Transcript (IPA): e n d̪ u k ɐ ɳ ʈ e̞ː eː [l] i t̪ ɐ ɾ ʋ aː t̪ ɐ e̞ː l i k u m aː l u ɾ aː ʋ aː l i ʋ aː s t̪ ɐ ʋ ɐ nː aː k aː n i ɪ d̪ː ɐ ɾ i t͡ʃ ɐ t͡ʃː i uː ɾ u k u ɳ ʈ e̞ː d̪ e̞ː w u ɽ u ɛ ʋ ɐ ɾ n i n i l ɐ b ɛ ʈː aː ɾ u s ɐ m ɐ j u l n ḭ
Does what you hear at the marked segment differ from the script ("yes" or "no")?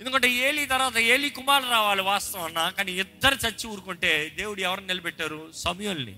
no